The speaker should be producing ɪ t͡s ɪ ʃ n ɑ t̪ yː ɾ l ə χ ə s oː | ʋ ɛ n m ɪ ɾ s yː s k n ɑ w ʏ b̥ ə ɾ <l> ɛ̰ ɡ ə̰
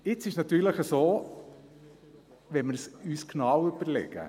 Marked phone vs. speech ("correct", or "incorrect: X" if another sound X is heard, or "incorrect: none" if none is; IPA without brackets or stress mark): correct